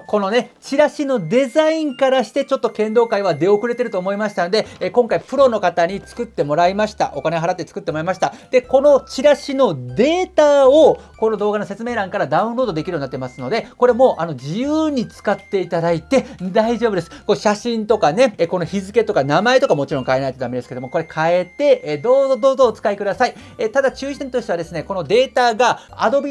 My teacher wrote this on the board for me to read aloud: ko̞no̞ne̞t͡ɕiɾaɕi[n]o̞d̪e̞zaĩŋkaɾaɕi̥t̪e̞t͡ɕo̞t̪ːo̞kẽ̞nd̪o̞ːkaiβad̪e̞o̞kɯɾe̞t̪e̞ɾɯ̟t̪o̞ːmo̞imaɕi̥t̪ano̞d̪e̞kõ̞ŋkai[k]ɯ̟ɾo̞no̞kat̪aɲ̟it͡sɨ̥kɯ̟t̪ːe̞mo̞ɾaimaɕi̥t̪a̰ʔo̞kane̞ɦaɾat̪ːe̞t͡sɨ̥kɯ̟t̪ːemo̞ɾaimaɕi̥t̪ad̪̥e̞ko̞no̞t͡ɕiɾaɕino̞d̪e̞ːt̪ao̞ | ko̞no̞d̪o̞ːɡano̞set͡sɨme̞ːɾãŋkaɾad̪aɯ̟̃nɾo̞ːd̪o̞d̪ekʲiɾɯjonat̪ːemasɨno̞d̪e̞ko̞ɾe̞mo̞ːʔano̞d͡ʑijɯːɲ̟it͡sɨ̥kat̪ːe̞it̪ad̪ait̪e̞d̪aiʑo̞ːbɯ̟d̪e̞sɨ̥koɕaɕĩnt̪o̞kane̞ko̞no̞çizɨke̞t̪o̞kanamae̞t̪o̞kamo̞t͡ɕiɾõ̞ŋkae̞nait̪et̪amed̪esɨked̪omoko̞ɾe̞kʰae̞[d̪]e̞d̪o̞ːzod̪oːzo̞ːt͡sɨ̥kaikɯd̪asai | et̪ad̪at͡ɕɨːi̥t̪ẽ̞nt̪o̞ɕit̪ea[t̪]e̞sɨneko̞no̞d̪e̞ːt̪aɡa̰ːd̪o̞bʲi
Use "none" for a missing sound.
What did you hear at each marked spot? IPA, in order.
n, p, t̪, d̪

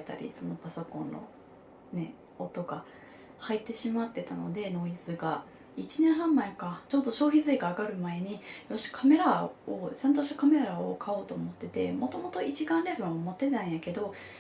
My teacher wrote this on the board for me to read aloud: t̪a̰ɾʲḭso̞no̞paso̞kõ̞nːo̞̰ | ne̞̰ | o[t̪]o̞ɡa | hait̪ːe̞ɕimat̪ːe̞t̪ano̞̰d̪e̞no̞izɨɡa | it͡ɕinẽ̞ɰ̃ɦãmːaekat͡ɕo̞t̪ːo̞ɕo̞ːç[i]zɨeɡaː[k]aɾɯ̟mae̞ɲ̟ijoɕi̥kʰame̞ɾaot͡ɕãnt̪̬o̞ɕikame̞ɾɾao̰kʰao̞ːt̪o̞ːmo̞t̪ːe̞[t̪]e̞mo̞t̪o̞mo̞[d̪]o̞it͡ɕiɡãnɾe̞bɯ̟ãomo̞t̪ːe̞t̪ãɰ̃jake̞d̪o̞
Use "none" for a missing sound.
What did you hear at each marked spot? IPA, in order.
t̪, i, ɡ, t̪, t̪

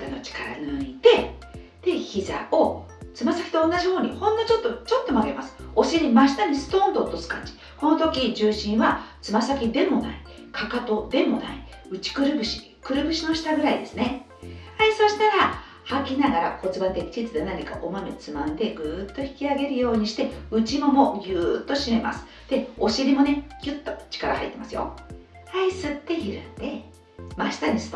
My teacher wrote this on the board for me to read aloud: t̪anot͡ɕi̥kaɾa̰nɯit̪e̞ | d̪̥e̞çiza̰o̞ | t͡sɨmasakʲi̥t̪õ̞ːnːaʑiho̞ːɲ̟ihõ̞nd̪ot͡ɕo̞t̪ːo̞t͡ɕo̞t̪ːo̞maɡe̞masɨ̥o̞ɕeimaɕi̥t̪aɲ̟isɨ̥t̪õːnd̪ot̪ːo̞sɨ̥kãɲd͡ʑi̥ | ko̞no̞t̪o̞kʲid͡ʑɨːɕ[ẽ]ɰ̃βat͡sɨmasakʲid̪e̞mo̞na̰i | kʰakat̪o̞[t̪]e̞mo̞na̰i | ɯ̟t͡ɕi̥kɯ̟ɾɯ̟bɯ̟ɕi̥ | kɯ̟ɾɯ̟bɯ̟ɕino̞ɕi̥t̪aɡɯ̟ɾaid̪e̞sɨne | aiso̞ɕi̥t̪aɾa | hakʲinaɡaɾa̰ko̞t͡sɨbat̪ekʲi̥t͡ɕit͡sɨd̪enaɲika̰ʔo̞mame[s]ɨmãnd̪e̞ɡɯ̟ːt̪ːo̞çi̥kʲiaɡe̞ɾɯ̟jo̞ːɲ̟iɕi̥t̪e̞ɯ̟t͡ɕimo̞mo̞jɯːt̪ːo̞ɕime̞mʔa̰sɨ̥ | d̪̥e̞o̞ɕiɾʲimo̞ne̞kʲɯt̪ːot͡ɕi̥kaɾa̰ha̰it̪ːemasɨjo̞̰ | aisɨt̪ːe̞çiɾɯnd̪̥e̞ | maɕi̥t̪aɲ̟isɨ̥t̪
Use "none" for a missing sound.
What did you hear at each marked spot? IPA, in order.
ĩ, d̪, t͡s

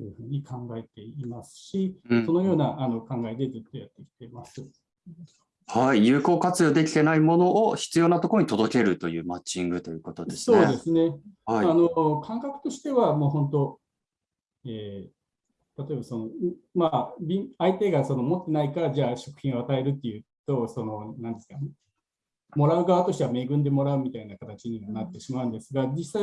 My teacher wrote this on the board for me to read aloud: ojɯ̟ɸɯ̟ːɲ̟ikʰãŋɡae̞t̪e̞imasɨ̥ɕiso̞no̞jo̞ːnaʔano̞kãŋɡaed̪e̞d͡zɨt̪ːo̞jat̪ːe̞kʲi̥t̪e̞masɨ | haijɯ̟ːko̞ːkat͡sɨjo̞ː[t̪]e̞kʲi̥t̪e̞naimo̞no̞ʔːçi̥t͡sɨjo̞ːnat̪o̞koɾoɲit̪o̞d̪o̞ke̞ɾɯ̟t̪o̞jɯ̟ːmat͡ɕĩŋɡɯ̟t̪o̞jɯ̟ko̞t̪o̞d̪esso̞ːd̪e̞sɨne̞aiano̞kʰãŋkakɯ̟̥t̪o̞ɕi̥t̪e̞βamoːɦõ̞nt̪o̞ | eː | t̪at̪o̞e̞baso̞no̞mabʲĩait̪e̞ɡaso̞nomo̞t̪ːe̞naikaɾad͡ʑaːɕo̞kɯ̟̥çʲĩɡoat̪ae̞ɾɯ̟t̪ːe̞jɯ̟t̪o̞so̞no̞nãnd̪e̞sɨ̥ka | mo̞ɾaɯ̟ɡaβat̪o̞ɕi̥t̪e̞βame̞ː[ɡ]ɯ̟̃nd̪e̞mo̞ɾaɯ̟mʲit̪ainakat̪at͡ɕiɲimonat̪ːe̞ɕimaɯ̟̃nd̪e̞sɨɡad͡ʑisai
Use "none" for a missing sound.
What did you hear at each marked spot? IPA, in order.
d̪, ɡ

